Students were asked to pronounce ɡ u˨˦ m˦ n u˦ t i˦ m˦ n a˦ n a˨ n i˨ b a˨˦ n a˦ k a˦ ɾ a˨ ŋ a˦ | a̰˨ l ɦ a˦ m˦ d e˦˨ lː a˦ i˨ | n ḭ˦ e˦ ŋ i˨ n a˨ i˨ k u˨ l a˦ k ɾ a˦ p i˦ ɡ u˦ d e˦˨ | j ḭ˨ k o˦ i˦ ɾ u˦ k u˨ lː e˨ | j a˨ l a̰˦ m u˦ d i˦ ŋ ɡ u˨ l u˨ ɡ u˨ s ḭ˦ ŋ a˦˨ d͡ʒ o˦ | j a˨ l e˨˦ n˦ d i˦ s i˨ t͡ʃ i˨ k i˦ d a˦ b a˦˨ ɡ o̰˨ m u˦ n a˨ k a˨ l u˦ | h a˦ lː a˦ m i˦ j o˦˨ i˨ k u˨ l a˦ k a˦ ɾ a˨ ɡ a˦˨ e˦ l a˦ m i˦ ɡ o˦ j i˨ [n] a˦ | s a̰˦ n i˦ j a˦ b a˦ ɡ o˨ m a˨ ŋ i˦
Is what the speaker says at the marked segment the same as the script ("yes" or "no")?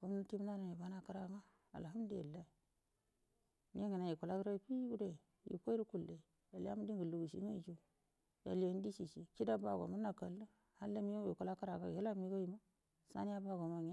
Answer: no